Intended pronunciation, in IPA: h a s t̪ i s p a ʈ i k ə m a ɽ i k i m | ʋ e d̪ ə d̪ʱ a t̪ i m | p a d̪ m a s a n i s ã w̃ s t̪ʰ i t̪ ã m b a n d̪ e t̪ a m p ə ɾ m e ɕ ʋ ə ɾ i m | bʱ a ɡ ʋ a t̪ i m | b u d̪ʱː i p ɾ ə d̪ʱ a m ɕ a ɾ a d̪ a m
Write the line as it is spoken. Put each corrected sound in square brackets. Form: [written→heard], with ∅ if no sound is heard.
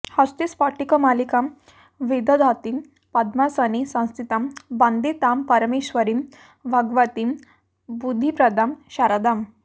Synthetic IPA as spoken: h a s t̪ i s p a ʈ i k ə m a [ɽ→l] i k [i→a] m | ʋ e d̪ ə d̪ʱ a t̪ i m | p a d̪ m a s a n i s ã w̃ s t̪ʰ i t̪ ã m b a n d̪ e t̪ a m p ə ɾ m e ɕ ʋ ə ɾ i m | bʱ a ɡ ʋ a t̪ i m | b u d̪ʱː i p ɾ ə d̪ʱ a m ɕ a ɾ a d̪ a m